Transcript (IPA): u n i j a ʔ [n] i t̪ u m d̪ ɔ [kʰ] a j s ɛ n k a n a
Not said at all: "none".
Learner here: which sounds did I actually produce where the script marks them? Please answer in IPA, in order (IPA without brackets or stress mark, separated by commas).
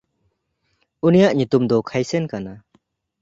ɲ, kʰ